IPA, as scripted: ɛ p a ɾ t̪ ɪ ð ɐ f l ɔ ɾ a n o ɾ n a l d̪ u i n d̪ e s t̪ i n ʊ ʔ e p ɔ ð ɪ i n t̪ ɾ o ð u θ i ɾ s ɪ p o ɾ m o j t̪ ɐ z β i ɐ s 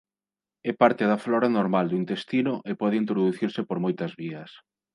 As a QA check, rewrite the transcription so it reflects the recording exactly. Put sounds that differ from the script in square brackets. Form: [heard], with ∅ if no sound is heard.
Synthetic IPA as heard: ɛ p a ɾ t̪ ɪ ð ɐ f l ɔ ɾ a n o ɾ [m] a l d̪ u i n [t̪] e s t̪ i n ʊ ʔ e p ɔ ð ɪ i n t̪ ɾ o ð u θ i ɾ s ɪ p o ɾ m o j t̪ ɐ z β i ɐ s